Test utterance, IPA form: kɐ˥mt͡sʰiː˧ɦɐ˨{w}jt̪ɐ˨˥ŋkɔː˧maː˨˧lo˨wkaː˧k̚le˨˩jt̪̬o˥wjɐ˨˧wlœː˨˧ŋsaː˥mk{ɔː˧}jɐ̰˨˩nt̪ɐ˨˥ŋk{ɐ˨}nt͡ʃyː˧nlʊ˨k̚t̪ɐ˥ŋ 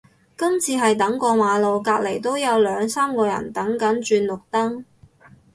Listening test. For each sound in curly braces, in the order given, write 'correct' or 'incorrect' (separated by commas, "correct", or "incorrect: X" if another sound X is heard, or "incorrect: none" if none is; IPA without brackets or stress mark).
incorrect: none, correct, incorrect: ɐ˨˥